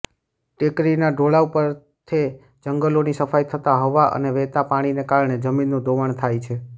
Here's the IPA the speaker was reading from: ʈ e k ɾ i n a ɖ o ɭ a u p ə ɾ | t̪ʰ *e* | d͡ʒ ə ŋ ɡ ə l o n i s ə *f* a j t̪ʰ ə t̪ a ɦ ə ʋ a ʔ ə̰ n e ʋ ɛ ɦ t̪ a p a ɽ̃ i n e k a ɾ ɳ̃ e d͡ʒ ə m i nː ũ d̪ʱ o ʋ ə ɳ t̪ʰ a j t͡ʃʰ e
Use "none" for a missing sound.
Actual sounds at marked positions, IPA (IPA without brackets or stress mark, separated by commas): e, f